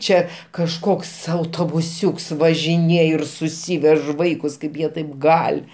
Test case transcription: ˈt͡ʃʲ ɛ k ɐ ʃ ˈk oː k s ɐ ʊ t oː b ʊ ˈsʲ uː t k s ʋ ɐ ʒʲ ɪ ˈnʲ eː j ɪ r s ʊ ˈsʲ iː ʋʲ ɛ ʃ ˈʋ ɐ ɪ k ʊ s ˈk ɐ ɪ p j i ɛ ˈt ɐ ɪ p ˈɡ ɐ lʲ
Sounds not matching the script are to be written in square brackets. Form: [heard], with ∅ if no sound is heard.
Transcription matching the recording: ˈt͡ʃʲ ɛ k ɐ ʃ ˈk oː k s ɐ ʊ t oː b ʊ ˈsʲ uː [∅] k s ʋ ɐ ʒʲ ɪ ˈnʲ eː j ɪ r s ʊ ˈsʲ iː ʋʲ ɛ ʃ ˈʋ ɐ ɪ k ʊ s ˈk ɐ ɪ p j i ɛ ˈt ɐ ɪ p ˈɡ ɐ lʲ